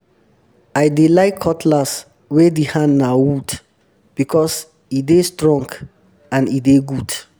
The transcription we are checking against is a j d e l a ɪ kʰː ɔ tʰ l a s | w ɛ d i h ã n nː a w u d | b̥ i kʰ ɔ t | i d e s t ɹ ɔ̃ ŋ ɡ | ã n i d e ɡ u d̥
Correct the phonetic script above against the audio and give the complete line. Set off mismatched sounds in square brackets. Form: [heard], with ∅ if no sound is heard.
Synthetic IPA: a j d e l a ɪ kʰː ɔ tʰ l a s | w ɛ d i h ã n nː a w u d | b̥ i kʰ ɔ [s] | i d e s t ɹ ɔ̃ ŋ ɡ | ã n i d e ɡ u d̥